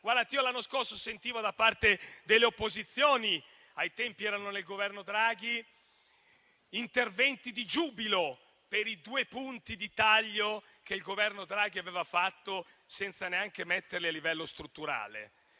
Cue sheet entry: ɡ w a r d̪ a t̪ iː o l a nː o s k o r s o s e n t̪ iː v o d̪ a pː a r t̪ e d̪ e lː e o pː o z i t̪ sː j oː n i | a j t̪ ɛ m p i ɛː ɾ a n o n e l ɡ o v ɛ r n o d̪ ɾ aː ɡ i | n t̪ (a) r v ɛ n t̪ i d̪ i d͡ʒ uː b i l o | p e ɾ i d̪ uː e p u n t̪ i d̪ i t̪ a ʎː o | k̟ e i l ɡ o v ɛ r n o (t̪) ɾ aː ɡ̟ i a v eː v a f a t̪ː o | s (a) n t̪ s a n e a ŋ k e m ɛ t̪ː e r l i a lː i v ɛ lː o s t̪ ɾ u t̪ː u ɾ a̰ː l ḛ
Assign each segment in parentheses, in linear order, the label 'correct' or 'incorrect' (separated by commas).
incorrect, incorrect, incorrect